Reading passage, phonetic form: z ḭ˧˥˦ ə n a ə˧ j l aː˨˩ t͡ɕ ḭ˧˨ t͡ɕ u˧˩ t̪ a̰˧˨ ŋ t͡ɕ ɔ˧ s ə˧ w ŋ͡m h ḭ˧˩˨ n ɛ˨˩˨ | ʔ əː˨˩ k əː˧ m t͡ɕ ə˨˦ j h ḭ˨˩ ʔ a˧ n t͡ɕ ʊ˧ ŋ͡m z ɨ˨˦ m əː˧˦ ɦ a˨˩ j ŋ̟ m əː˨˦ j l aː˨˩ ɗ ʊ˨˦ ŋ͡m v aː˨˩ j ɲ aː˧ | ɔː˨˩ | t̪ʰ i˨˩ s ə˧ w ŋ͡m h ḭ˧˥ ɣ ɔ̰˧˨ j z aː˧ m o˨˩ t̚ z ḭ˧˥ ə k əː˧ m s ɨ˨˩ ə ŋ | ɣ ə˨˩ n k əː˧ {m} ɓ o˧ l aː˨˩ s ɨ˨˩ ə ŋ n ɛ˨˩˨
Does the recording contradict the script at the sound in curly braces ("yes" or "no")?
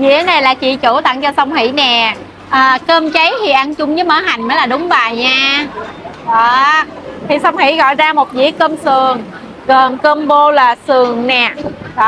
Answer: no